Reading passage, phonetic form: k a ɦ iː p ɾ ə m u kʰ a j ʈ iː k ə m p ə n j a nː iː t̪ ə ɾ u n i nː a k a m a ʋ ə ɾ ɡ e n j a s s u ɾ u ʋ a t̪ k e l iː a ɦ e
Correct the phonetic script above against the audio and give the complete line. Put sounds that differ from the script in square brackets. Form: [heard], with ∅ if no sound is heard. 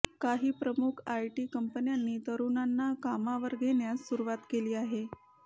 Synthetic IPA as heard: k a ɦ iː p ɾ ə m u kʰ a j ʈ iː k ə m p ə n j a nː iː t̪ ə ɾ u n [a] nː a k a m a ʋ ə ɾ ɡ e n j a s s u ɾ u ʋ a t̪ k e l iː a ɦ e